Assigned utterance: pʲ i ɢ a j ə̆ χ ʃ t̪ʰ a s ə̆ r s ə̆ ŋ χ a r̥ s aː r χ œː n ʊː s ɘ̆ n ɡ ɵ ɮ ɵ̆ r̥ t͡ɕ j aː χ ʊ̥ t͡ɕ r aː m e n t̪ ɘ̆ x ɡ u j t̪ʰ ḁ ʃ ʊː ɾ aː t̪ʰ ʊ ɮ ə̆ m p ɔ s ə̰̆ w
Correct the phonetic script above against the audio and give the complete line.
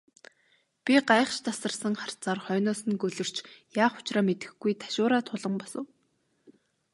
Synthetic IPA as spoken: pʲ i ɢ a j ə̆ χ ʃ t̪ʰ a s ə̆ r s ə̆ ŋ χ a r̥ t͡s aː r χ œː n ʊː s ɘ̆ n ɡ ɵ ɮ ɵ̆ r̥ t͡ɕ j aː χ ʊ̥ t͡ɕ r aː m e t̪ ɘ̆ x ɡ u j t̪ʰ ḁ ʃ ʊː ɾ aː t̪ʰ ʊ ɮ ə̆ m p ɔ s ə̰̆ w